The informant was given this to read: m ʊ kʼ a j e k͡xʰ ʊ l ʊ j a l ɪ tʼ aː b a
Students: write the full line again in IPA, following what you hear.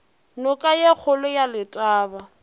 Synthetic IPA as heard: n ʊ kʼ a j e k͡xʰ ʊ l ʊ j a l ɪ tʼ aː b a